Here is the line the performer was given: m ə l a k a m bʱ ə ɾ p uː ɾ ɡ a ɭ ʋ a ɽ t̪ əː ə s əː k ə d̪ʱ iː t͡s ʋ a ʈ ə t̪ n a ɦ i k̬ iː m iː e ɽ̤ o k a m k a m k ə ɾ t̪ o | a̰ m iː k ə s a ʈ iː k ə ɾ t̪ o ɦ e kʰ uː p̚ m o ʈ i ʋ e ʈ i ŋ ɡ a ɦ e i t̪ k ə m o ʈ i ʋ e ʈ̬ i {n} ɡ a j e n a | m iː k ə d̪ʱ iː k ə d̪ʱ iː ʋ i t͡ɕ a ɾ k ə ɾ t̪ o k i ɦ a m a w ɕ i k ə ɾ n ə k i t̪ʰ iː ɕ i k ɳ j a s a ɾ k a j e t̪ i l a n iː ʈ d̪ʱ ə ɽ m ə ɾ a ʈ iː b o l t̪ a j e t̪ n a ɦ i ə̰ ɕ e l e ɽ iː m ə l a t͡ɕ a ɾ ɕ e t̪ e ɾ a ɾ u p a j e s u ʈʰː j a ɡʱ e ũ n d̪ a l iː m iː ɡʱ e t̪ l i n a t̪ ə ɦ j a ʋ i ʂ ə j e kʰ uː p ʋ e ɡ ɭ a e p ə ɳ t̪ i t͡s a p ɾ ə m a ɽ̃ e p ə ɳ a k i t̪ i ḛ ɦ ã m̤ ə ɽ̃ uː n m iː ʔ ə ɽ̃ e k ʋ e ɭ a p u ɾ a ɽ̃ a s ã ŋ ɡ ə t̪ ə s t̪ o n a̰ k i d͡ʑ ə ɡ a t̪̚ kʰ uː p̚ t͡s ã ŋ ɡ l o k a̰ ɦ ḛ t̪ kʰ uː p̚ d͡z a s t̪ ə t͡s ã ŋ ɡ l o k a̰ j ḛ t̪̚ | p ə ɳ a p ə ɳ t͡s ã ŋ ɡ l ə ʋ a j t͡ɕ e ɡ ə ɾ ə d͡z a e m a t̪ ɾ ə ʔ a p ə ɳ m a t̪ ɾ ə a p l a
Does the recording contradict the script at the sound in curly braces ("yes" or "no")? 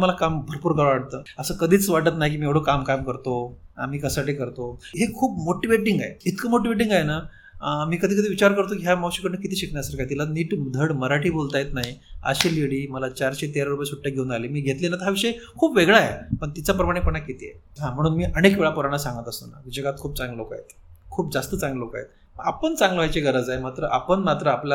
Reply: yes